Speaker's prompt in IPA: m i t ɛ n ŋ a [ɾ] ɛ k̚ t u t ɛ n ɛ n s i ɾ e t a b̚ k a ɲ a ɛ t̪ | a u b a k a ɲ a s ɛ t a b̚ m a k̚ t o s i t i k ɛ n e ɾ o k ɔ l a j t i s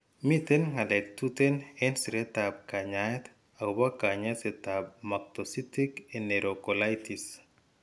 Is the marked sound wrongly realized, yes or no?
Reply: yes